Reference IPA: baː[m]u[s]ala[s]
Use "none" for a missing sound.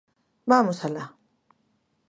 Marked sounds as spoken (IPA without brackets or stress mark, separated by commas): m, s, none